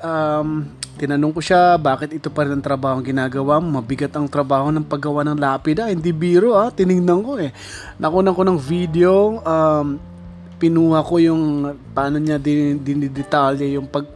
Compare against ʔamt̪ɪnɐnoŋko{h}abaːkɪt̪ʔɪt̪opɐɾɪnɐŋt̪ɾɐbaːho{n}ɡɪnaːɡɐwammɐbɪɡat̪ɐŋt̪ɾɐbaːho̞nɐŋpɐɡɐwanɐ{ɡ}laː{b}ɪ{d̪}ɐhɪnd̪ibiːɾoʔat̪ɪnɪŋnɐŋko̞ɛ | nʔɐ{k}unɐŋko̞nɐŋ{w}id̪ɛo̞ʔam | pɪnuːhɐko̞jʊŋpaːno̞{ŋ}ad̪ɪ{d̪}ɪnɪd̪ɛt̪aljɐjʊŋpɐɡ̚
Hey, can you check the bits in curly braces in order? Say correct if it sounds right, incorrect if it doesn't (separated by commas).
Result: incorrect, incorrect, incorrect, incorrect, correct, correct, incorrect, incorrect, correct